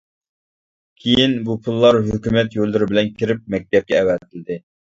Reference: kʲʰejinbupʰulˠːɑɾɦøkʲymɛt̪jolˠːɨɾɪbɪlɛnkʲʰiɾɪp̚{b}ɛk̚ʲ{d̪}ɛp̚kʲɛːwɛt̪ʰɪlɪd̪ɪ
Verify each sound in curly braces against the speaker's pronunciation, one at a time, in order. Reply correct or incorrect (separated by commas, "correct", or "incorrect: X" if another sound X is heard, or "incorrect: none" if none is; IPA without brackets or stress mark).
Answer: incorrect: m, incorrect: t̪